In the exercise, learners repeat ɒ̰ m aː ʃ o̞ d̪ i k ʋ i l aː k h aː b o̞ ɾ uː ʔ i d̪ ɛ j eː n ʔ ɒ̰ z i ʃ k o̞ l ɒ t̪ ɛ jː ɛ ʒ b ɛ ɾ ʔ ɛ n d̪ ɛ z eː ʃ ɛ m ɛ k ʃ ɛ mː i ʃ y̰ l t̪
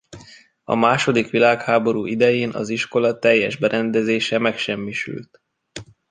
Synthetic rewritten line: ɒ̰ m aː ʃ o̞ d̪ i k ʋ i l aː k h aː b o̞ ɾ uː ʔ i d̪ ɛ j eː n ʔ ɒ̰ z i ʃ k o̞ l ɒ t̪ ɛ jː ɛ ʒ b ɛ ɾ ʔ ɛ n d̪ ɛ z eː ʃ ɛ m ɛ k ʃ ɛ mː i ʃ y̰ l t̪